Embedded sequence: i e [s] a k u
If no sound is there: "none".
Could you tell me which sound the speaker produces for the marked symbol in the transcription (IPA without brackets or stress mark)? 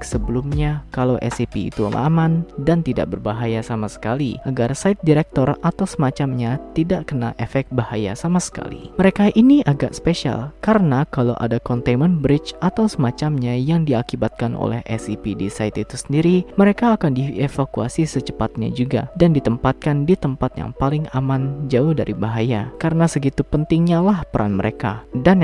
f